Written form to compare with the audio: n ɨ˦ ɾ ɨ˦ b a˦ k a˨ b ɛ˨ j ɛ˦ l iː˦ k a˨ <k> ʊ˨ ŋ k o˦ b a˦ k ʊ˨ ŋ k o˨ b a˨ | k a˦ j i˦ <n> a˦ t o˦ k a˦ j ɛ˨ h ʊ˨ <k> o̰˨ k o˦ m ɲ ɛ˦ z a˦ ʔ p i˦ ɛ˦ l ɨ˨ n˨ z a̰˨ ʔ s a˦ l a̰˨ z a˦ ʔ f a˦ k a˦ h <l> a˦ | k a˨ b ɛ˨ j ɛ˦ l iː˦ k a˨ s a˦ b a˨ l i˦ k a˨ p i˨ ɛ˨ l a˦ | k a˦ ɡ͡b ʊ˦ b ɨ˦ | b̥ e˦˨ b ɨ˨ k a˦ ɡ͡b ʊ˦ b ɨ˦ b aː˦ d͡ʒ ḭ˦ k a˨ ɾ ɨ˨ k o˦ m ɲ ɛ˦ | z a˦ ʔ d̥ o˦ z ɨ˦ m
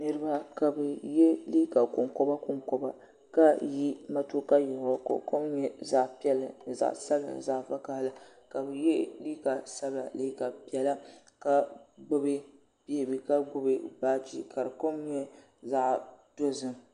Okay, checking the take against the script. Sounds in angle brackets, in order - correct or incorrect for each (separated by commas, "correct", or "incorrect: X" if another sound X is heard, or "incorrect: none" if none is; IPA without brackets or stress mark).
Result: correct, incorrect: m, correct, correct